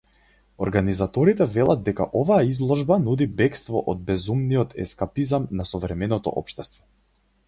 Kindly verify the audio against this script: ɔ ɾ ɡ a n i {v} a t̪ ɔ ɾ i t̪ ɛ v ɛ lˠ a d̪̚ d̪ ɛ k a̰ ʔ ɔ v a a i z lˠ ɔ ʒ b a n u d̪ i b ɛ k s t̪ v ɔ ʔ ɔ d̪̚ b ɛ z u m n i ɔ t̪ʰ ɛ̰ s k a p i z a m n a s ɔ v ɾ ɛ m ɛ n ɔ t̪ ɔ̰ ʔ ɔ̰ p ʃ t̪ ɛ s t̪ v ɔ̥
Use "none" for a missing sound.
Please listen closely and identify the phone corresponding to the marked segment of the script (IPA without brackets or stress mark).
z